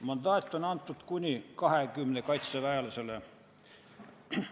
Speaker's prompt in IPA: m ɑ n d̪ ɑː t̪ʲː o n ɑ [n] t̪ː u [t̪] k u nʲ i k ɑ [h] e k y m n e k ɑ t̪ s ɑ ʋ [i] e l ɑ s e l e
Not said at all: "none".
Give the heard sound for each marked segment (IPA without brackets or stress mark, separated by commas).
n, t̪, h, æ